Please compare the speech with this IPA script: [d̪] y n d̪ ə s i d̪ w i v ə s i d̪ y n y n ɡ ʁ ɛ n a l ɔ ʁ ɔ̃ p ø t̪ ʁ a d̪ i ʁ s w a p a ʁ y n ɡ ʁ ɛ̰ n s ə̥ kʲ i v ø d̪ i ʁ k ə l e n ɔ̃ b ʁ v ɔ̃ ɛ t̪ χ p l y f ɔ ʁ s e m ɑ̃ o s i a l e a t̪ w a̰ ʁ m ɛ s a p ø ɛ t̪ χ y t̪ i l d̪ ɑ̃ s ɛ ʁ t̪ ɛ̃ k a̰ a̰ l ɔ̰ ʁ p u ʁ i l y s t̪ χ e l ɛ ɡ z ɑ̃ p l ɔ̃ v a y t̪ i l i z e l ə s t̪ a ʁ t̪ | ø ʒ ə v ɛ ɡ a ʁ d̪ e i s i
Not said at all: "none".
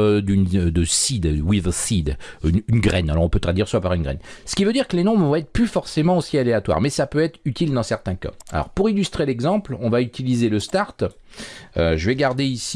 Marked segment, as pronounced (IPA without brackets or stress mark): d̪